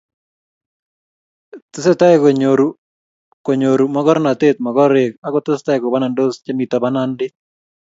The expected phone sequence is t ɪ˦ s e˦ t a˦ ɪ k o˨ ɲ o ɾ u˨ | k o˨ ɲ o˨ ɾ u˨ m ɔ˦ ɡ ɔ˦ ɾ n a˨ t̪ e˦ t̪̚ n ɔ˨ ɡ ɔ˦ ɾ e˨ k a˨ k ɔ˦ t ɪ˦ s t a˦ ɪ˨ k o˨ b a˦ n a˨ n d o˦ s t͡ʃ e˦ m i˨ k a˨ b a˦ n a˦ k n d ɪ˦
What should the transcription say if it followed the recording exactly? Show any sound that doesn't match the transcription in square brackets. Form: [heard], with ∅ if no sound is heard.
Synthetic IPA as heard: t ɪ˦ s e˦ t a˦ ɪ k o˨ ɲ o ɾ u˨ | k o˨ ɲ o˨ ɾ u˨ m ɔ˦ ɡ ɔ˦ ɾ n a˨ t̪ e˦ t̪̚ [m] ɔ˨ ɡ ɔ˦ ɾ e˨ k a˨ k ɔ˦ t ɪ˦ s t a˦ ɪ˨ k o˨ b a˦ n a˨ n d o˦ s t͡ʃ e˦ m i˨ [t] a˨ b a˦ n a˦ [∅] n d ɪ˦